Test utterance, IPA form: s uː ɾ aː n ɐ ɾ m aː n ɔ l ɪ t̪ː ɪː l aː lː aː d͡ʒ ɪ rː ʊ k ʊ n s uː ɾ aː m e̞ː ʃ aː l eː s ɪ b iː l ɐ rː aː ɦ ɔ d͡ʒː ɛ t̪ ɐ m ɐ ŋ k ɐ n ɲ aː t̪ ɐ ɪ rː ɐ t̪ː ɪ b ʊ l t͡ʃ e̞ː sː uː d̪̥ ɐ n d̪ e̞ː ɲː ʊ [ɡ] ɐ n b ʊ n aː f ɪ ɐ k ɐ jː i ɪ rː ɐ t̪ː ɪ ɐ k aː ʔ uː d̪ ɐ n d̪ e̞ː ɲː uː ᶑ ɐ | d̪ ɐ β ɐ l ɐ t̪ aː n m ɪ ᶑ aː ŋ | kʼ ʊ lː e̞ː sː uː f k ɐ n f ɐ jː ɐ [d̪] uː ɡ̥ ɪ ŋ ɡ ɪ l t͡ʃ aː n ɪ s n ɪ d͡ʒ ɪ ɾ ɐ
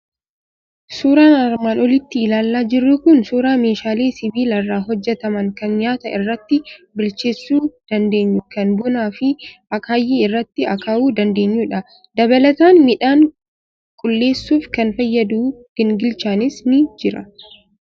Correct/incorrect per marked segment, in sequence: incorrect: k, correct

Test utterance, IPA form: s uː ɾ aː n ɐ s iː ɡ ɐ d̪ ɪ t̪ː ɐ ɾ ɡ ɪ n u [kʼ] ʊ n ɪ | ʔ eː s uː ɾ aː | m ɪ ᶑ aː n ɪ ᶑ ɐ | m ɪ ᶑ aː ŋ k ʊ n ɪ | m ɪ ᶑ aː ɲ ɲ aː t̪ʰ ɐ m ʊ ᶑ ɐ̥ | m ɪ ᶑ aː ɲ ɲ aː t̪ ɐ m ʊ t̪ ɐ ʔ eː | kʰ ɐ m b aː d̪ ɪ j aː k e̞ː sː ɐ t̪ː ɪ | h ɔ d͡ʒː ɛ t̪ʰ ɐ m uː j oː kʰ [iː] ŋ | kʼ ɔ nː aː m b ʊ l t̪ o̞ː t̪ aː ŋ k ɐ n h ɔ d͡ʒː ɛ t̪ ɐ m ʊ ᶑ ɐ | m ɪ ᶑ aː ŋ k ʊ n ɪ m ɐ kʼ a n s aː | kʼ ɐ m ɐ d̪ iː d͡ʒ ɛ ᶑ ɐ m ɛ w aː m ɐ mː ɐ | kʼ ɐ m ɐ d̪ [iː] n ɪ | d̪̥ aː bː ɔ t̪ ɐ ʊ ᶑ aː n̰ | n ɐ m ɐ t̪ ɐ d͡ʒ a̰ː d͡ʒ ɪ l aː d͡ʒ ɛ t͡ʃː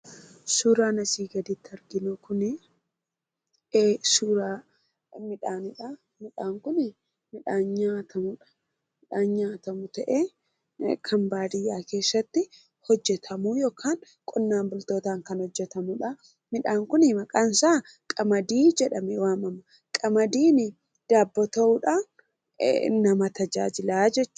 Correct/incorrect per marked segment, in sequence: incorrect: k, incorrect: aː, correct

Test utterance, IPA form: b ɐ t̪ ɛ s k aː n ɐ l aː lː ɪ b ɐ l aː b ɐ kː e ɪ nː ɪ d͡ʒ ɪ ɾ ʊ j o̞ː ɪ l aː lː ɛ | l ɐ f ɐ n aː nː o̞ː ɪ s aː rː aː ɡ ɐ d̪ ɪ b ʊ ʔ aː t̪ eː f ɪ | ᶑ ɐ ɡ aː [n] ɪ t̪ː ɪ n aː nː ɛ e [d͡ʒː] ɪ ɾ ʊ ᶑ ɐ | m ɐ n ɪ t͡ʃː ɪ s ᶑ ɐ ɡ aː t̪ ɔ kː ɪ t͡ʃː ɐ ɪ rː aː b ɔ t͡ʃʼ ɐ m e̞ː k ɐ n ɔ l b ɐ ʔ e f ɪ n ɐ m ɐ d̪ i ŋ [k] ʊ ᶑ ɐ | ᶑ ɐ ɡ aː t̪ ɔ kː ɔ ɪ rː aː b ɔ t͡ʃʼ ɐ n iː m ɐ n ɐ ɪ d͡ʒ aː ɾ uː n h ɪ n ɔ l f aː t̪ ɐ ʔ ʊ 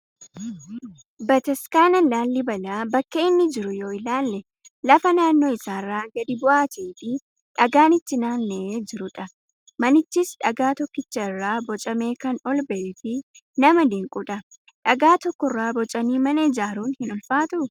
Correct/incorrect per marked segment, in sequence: correct, incorrect: d͡ʒ, incorrect: kʼ

